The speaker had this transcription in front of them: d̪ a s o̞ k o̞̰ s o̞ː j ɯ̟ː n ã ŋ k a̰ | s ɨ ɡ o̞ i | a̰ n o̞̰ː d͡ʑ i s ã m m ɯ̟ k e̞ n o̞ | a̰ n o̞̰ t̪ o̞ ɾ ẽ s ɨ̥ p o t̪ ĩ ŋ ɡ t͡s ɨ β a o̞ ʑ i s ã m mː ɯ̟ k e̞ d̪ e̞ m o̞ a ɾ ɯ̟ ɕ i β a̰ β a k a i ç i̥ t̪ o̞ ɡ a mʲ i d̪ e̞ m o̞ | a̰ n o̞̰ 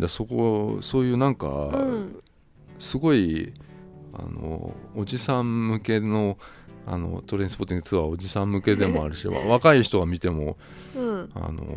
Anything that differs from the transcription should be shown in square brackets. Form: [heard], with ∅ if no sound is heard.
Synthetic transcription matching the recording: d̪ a s o̞ k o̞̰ s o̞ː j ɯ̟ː n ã ŋ k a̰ | s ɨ ɡ o̞ i | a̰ n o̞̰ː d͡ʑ i s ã m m ɯ̟ k e̞ n o̞ | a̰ n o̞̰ t̪ o̞ ɾ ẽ s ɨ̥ p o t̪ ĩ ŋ ɡ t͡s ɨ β a o̞ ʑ i s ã m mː ɯ̟ k e̞ d̪ e̞ m o̞ a ɾ ɯ̟ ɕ i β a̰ β a k a i ç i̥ t̪ o̞ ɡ a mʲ i [t̪] e̞ m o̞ | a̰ n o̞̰